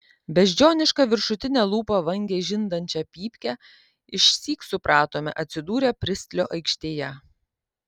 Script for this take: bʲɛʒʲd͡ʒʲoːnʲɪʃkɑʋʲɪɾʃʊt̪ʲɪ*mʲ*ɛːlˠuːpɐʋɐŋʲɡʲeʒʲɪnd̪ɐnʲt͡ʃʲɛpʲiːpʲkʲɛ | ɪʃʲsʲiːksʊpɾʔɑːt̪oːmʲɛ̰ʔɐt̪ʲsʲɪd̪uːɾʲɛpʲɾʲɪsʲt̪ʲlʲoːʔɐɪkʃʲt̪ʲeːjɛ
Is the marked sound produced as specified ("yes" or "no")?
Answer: no